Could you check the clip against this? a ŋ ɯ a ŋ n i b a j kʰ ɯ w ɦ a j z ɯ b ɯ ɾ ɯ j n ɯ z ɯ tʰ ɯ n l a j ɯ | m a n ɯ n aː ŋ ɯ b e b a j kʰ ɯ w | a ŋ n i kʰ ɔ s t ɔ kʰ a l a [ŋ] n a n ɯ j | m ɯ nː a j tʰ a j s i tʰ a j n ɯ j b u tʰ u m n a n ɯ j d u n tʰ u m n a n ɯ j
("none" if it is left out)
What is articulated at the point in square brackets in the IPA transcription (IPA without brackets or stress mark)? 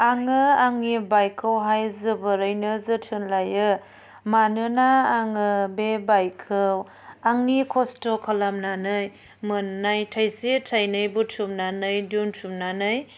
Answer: m